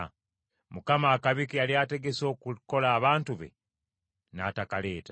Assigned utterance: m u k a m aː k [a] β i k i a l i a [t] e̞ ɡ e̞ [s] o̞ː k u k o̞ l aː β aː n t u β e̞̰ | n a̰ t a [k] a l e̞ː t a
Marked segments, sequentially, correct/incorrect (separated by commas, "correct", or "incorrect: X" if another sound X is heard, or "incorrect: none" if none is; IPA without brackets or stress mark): correct, correct, correct, correct